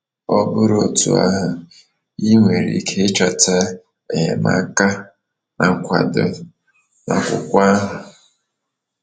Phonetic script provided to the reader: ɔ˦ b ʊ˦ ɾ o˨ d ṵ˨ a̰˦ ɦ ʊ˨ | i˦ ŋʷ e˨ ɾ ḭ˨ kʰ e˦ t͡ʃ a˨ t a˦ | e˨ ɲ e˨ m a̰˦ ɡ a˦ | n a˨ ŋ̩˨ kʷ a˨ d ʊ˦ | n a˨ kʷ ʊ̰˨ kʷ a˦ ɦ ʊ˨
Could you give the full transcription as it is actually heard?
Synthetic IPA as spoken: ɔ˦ b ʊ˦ ɾ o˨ t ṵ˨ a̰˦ ɦ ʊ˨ | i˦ ŋʷ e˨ ɾ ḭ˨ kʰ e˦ t͡ʃ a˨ t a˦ | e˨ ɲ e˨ m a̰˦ k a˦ | n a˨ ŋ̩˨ kʷ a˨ d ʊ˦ | n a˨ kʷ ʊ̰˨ kʷ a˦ ɦ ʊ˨